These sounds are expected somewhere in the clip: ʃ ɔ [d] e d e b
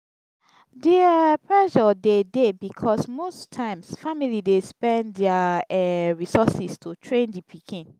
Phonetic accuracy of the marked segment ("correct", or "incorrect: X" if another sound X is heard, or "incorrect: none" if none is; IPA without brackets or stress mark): correct